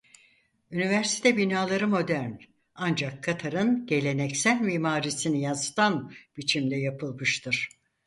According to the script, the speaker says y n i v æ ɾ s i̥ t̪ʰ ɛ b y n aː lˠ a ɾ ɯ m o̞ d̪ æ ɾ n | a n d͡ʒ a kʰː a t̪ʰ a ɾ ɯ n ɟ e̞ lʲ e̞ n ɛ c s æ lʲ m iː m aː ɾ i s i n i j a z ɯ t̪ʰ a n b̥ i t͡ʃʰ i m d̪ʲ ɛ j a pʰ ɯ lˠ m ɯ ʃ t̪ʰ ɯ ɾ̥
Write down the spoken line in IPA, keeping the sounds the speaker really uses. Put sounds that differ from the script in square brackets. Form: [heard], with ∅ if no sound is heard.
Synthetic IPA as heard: y n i v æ ɾ s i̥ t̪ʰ ɛ b [i] n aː lˠ a ɾ ɯ m o̞ d̪ æ ɾ n | a n d͡ʒ a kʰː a t̪ʰ a ɾ ɯ n ɟ e̞ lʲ e̞ n ɛ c s æ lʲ m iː m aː ɾ i s i n i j a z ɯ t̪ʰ a n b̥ i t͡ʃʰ i m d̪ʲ ɛ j a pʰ ɯ lˠ m ɯ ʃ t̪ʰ ɯ ɾ̥